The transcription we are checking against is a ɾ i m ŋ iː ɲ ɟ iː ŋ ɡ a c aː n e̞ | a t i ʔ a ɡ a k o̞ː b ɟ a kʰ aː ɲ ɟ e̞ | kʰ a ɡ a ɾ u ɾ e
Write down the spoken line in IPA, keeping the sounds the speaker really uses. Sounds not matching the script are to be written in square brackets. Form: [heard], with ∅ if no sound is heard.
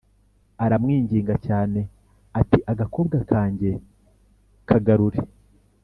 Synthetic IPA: a ɾ [a] m ŋ iː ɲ ɟ iː ŋ ɡ a c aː n e̞ | a t i ʔ a ɡ a k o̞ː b [ɡ] a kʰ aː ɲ ɟ e̞ | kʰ a ɡ a ɾ u ɾ e